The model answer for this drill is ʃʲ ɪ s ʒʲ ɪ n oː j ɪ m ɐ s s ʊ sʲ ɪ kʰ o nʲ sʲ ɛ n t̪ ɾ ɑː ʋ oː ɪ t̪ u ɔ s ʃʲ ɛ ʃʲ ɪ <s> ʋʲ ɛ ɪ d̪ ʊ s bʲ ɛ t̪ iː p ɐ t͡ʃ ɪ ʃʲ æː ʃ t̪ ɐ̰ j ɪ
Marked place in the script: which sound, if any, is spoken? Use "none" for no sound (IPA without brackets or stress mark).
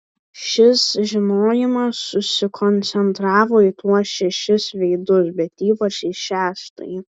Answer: s